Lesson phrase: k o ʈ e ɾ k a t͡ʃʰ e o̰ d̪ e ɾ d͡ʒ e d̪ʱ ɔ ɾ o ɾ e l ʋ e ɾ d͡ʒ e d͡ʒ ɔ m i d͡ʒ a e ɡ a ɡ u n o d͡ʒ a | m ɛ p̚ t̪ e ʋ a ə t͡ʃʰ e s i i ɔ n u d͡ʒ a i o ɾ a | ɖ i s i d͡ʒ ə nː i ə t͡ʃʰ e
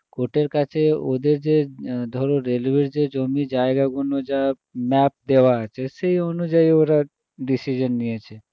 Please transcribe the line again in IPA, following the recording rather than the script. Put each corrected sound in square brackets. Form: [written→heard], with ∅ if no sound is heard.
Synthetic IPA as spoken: k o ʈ e ɾ k a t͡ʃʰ e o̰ d̪ e ɾ d͡ʒ e d̪ʱ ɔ ɾ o ɾ e l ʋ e ɾ d͡ʒ e d͡ʒ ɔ m i d͡ʒ a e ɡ a ɡ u n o d͡ʒ a | m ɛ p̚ [t̪→d̪] e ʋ a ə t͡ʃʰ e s [i→e] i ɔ n u d͡ʒ a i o ɾ a | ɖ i s i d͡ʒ ə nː i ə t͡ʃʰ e